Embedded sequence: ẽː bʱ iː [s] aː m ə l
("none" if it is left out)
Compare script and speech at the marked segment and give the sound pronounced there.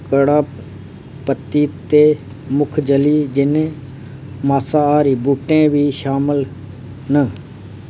ʃ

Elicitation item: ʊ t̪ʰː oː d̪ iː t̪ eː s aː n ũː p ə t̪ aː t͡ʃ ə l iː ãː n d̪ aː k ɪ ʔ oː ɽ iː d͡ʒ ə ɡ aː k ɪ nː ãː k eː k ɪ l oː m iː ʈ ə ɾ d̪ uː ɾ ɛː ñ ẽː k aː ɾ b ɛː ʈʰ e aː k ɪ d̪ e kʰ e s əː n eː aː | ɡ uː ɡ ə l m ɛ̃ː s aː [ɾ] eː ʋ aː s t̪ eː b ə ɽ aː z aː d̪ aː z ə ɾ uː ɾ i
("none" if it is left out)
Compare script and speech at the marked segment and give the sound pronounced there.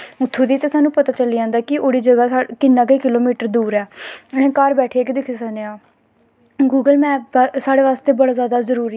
ɽ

